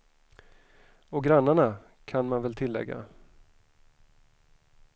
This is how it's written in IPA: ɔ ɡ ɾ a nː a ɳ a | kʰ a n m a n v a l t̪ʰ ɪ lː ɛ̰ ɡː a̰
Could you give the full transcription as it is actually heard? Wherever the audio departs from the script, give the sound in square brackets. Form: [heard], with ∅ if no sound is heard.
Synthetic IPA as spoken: ɔ ɡ ɾ a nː a ɳ a | kʰ a n m a n v [ɛ] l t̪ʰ ɪ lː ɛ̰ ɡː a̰